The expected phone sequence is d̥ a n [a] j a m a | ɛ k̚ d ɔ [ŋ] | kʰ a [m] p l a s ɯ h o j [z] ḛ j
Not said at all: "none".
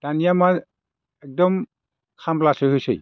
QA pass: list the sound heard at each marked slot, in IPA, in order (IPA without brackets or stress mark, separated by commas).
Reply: i, m, m, s